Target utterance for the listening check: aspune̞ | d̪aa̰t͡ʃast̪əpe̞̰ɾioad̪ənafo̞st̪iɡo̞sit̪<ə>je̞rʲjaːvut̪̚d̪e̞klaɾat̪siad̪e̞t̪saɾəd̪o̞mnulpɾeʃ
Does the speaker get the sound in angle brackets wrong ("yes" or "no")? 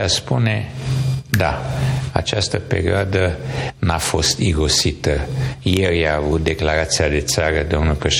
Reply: no